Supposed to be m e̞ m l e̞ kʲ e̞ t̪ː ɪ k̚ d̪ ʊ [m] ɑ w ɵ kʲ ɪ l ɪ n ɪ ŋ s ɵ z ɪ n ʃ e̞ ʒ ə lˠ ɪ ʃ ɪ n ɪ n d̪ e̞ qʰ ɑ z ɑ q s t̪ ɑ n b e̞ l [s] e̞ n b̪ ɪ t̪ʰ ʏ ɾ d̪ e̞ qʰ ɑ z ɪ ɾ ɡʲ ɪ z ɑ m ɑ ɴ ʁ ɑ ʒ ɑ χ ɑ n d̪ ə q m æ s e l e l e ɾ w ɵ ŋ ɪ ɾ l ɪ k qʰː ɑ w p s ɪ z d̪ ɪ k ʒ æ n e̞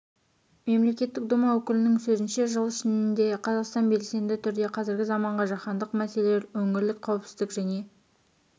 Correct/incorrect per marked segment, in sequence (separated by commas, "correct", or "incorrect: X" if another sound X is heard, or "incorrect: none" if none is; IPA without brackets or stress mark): correct, correct